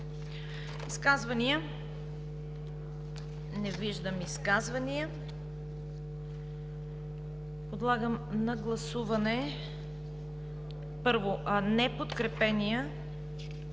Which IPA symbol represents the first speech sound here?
i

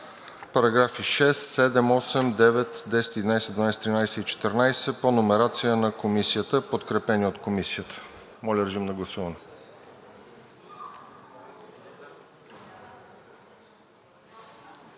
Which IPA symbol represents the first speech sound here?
p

